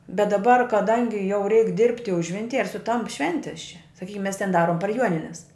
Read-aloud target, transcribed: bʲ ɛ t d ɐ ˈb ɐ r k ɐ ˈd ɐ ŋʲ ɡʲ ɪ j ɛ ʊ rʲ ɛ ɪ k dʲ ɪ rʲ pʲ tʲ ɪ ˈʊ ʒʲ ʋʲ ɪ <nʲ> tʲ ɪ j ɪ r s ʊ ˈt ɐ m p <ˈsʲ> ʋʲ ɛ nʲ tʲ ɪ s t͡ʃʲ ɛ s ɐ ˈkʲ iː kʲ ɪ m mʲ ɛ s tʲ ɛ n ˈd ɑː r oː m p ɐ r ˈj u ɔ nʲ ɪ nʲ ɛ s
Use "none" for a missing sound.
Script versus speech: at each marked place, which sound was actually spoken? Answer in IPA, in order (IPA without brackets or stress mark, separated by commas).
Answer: nʲ, ʃʲ